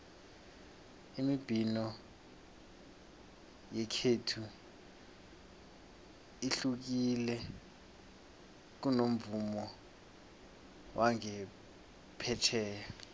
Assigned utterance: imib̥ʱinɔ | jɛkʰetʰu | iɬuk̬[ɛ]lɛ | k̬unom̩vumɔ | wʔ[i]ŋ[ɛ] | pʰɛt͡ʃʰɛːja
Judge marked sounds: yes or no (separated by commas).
no, no, yes